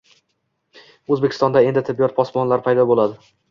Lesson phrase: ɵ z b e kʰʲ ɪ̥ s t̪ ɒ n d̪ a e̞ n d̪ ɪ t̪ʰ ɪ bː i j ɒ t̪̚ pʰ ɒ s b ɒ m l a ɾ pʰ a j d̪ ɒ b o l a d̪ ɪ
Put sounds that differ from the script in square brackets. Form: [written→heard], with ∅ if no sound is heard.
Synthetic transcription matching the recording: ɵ z b e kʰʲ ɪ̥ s t̪ ɒ n d̪ a e̞ n d̪ ɪ t̪ʰ ɪ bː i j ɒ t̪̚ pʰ ɒ s [b→m] ɒ [m→n] l a ɾ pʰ a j d̪ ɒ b o l a d̪ ɪ